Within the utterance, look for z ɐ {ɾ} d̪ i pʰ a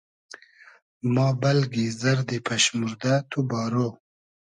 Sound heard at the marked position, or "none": ɾ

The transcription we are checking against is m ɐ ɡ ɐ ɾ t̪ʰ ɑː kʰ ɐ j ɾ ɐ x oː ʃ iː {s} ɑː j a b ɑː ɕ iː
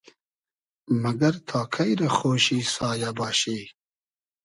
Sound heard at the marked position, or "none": s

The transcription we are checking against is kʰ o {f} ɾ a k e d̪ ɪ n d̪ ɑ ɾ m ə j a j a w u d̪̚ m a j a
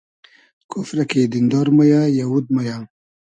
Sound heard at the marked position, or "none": f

